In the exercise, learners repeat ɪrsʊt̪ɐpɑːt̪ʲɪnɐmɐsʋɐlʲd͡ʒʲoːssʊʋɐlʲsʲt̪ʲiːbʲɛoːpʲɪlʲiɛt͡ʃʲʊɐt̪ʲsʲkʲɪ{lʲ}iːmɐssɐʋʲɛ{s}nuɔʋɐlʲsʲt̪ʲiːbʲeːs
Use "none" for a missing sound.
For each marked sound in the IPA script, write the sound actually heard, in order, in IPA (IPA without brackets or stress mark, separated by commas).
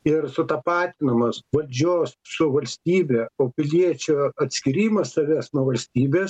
ɾʲ, s